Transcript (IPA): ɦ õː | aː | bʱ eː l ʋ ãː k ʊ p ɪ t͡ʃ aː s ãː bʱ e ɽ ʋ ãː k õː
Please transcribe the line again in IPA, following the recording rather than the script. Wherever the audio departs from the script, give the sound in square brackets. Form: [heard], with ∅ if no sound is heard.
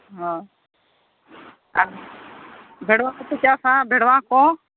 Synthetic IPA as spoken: ɦ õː | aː | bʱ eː [ɽ] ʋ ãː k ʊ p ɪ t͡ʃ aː s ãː bʱ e ɽ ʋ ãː k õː